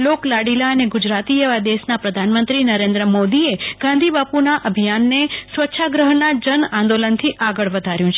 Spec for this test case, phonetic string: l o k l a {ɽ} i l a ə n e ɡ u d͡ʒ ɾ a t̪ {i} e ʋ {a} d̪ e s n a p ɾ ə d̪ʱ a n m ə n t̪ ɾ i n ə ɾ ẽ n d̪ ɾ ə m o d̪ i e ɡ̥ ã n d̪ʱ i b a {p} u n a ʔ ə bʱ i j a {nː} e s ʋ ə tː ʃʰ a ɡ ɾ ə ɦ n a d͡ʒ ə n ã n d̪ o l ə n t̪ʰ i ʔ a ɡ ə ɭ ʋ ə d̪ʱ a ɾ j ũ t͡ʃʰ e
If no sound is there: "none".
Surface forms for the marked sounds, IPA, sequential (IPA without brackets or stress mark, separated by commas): ɽ, i, a, p, nː